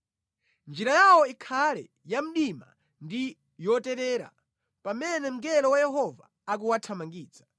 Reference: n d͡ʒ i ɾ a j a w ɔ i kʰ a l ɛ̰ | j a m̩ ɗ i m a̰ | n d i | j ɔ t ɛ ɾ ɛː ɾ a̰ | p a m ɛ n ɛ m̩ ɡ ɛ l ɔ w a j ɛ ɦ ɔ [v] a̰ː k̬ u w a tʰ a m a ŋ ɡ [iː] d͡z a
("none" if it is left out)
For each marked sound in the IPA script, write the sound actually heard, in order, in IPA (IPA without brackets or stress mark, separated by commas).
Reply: v, iː